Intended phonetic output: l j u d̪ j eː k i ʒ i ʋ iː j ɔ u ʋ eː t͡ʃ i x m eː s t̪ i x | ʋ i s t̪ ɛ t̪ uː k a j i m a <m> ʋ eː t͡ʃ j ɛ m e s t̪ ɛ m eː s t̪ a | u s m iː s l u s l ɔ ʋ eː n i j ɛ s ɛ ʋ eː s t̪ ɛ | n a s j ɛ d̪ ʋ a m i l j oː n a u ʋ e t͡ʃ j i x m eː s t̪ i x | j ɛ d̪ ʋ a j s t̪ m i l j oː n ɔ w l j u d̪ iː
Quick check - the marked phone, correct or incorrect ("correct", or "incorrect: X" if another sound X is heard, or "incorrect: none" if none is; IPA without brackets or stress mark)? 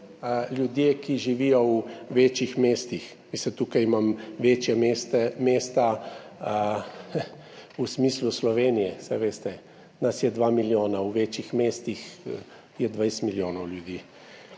correct